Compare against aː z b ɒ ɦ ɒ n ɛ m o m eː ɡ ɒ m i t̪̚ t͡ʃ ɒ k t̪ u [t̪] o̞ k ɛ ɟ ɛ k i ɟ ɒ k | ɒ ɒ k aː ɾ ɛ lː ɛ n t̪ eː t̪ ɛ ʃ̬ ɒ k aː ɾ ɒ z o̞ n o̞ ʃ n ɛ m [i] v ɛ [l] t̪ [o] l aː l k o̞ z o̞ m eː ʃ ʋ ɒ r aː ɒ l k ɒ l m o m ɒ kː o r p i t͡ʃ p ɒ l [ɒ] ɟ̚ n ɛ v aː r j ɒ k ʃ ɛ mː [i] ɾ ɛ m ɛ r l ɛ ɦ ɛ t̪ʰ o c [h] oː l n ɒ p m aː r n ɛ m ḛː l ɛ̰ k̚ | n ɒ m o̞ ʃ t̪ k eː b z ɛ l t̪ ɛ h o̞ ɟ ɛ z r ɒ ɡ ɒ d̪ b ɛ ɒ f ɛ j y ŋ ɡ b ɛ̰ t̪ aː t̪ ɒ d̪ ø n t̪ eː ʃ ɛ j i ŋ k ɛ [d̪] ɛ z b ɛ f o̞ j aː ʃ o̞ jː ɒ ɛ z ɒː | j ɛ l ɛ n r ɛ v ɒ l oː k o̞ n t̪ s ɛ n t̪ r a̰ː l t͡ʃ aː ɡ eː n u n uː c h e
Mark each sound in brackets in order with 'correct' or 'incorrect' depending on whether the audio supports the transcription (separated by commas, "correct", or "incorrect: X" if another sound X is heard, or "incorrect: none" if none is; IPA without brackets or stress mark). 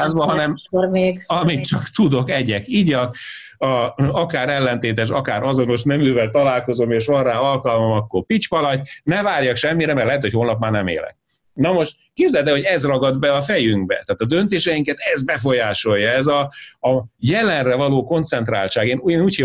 incorrect: d̪, incorrect: y, correct, incorrect: ɒ, correct, correct, correct, incorrect: t̪